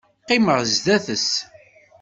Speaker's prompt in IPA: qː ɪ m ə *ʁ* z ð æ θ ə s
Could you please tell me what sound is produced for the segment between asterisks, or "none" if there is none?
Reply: ʁ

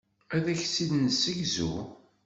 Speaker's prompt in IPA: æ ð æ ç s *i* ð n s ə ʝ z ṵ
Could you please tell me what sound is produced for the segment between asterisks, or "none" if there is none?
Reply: i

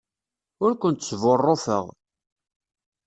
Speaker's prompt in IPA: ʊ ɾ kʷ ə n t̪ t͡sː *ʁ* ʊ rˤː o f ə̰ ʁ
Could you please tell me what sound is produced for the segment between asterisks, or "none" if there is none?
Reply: v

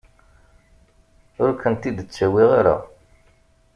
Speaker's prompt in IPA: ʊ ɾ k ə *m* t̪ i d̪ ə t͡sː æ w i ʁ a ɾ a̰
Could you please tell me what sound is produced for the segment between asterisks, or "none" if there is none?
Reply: n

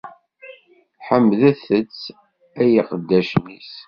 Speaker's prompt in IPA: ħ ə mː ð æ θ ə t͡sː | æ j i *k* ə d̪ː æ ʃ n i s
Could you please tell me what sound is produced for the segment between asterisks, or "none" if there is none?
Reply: q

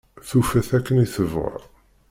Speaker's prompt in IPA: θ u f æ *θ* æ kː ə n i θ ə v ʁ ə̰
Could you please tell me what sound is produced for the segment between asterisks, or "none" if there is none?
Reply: θ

